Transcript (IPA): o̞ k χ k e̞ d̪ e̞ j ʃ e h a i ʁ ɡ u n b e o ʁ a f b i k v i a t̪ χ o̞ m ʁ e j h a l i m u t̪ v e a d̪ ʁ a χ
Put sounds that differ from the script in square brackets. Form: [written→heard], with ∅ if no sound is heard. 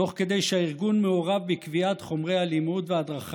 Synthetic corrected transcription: o̞ [k→∅] χ k e̞ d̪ e̞ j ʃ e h a i ʁ ɡ u n [b→m] e o ʁ a [f→v] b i k v i a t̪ χ o̞ m ʁ e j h a l i m u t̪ v e a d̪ ʁ a χ